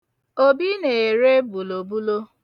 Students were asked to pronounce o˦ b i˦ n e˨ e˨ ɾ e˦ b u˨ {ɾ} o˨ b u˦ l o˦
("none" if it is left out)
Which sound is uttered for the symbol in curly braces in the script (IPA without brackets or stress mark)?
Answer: l